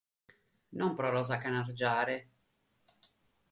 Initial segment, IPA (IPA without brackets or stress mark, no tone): n